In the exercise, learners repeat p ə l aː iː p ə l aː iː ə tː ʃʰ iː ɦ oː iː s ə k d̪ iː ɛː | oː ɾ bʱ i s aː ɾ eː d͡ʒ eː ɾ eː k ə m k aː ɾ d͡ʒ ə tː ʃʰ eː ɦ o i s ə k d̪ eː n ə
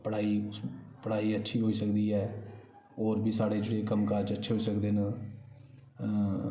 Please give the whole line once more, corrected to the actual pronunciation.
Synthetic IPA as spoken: p ə ɽ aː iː p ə ɽ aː iː ə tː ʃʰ iː ɦ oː iː s ə k d̪ iː ɛː | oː ɾ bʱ iː s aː ɽ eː d͡ʒ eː ɽ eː k ə m k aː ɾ d͡ʒ ə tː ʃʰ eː ɦ o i s ə k d̪ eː n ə